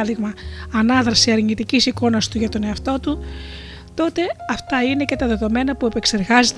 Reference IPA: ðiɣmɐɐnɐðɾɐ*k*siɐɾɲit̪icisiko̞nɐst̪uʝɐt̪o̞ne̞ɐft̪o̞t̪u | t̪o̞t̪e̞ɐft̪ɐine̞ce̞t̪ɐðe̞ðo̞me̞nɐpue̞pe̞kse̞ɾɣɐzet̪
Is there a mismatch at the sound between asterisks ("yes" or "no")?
yes